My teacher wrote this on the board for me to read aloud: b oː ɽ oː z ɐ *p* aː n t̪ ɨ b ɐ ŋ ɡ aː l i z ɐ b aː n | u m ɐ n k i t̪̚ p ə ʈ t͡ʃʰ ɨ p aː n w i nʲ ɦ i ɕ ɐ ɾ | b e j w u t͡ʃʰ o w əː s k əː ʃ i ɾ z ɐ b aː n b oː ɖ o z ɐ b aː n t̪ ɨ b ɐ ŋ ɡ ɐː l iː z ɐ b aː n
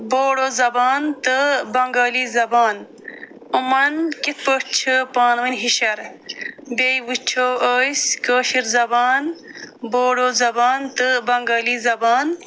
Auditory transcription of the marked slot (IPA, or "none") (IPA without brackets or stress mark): b